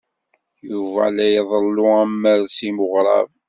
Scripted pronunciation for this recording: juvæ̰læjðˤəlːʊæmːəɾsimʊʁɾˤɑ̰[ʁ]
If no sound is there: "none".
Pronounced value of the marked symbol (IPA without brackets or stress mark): v